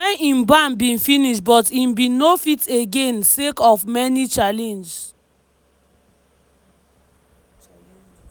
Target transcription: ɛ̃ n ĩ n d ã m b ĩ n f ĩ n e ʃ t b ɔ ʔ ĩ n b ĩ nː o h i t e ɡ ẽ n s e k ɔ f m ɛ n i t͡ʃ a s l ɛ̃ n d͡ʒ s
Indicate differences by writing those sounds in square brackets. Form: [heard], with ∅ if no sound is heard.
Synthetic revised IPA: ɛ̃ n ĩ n [b] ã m b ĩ n f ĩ n [i] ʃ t b ɔ [t] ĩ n b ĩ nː o [f] i t e ɡ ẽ n s e k ɔ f m ɛ n i t͡ʃ a [∅] l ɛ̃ n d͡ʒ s